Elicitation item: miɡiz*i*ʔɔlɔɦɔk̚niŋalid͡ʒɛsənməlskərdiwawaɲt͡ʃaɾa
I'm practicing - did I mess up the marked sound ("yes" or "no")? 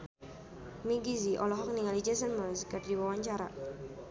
no